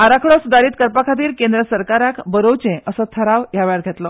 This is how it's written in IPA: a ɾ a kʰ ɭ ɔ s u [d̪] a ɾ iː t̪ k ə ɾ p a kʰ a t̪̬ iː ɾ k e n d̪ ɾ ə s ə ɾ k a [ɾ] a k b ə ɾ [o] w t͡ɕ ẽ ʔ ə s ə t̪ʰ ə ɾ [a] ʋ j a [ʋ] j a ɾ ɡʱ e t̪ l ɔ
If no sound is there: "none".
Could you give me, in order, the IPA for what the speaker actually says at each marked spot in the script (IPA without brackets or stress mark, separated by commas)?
d̪, ɾ, o, a, ʋ